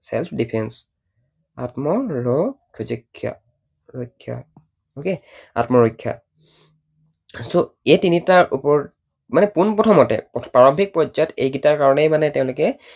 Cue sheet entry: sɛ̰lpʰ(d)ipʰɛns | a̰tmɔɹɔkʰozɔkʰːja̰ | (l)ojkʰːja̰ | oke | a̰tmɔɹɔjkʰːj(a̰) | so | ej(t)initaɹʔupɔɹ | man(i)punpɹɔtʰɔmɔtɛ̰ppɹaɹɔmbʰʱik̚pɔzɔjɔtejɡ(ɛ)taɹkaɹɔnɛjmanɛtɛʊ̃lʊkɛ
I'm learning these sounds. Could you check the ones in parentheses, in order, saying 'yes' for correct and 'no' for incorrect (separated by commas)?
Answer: yes, no, yes, yes, no, no